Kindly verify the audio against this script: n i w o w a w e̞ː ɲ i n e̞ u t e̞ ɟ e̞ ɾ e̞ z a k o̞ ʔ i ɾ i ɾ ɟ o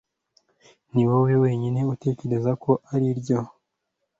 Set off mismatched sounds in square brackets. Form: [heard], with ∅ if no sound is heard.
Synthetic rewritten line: n i w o w [e] w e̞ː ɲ i n e̞ u t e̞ [c] e̞ ɾ e̞ z a k o̞ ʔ [a] ɾ i ɾ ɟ o